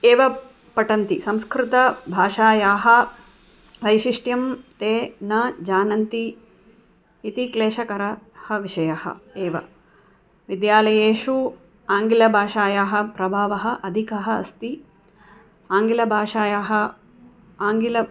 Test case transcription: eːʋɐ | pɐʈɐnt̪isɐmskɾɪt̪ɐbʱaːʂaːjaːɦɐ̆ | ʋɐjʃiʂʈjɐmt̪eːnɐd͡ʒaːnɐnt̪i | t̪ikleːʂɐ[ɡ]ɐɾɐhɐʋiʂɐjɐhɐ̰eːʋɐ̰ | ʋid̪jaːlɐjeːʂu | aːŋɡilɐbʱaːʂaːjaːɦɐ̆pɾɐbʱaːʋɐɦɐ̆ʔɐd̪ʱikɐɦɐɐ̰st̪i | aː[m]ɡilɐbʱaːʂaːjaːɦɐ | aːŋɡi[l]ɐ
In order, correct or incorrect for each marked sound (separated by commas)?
incorrect, incorrect, correct